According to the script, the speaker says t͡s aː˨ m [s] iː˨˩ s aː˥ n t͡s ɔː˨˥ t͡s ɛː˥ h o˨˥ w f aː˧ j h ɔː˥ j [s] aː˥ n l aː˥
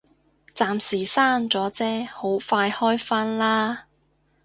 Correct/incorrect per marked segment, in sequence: correct, incorrect

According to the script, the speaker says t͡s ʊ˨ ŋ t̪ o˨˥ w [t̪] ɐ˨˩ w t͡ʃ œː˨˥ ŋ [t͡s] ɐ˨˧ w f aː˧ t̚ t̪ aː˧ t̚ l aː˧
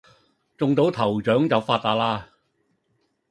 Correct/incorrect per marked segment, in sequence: incorrect, correct

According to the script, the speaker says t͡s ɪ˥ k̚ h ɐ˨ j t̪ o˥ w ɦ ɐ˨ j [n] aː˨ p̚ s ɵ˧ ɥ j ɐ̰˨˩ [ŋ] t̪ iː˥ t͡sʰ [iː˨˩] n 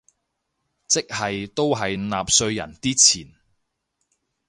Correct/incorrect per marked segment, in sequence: correct, incorrect, correct

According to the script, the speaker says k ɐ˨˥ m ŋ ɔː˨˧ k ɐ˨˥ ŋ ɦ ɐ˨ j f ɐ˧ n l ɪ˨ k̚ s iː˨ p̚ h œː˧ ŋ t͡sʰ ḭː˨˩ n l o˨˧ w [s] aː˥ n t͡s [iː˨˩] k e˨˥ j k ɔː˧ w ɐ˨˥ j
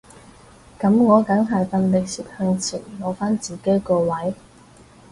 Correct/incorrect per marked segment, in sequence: incorrect, correct

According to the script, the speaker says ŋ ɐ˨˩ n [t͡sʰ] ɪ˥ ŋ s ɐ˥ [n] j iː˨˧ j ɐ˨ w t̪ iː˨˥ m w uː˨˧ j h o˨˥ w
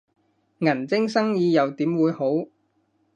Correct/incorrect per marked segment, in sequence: incorrect, incorrect

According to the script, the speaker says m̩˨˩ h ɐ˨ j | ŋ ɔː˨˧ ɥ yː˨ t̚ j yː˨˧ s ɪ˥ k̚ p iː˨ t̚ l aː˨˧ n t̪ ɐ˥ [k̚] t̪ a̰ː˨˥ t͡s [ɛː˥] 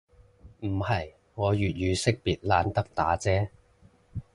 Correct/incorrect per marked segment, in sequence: correct, correct

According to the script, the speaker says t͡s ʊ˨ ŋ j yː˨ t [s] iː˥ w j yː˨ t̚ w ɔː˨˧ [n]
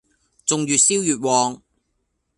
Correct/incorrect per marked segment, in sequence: correct, incorrect

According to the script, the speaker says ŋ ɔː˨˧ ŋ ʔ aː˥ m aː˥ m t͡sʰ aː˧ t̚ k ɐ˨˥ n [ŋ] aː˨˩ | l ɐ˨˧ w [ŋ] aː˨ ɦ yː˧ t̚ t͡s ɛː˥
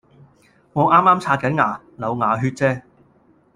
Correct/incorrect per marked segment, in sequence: correct, correct

